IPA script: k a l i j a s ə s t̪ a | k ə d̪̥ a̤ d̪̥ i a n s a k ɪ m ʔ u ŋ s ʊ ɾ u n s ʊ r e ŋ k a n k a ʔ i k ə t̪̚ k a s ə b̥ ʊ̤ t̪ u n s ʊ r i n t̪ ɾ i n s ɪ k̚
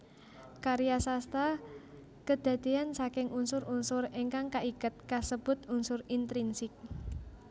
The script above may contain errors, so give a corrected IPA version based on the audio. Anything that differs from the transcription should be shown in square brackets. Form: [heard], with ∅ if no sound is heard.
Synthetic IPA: k a [ɾ] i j a s [a] s t̪ a | k ə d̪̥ a̤ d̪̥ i a n s a k ɪ [ŋ] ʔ u [n] s ʊ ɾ u n s ʊ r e ŋ k a [ŋ] k a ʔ i k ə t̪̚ k a s ə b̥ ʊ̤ t̪ u n s ʊ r i n t̪ ɾ i n s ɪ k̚